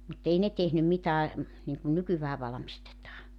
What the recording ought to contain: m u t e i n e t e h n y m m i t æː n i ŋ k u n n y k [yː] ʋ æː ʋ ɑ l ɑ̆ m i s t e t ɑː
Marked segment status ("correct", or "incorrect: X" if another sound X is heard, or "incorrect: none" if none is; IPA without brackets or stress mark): incorrect: y